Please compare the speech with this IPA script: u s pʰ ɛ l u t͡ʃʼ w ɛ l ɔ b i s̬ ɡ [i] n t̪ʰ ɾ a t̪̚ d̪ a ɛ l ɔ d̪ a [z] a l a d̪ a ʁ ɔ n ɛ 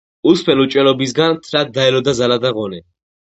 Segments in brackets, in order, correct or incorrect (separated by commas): incorrect, correct